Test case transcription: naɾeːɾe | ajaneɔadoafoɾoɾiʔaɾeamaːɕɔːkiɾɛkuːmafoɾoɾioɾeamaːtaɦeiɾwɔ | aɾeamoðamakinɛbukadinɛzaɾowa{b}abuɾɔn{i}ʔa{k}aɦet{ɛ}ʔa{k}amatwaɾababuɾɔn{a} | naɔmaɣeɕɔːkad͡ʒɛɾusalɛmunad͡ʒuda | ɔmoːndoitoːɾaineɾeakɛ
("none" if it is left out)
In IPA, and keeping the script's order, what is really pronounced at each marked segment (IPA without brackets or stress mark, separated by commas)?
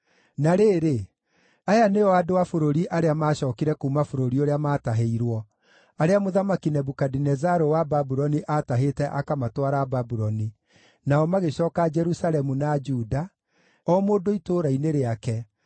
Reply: b, i, t, ɛ, k, i